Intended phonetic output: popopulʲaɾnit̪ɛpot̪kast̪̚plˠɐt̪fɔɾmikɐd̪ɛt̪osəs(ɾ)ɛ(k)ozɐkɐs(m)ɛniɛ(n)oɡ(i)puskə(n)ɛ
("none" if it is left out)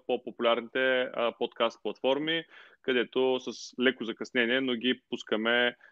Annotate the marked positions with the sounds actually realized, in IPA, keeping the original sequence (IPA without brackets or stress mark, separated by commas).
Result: l, k, n, n, i, m